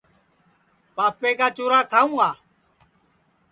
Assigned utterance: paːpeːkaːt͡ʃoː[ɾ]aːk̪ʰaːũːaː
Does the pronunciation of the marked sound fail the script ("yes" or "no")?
no